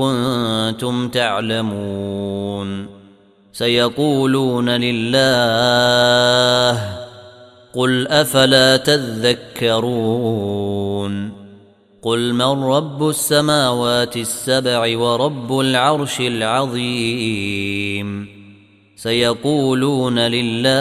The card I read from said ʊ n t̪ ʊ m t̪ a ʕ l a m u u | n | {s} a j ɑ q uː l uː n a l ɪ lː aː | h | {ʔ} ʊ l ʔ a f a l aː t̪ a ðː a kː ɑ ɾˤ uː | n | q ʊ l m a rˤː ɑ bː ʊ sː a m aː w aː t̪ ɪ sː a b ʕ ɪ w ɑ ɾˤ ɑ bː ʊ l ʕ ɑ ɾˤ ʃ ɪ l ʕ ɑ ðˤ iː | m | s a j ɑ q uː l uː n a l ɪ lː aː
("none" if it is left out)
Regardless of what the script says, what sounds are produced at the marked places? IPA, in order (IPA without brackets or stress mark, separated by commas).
s, q